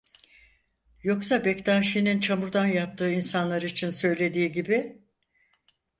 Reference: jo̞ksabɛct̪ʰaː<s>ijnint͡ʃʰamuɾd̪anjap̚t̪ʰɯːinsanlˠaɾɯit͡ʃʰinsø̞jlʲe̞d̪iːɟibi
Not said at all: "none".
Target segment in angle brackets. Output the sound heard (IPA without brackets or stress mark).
ʃ